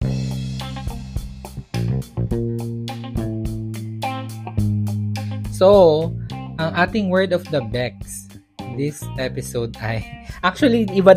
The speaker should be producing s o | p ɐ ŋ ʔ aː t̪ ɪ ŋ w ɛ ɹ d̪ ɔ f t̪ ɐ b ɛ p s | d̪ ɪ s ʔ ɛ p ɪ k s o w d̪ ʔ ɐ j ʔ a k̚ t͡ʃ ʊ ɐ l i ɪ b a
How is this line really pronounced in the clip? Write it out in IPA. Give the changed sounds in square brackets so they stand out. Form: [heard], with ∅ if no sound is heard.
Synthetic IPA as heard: s o | [ʔ] ɐ ŋ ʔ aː t̪ ɪ ŋ w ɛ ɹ d̪ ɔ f [d̪] ɐ b ɛ [k] s | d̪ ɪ s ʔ ɛ p ɪ [∅] s o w d̪ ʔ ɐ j ʔ a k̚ t͡ʃ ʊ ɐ l i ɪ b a